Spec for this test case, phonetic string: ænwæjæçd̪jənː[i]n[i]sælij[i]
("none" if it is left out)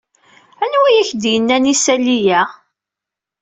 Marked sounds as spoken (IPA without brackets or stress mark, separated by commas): æ, i, æ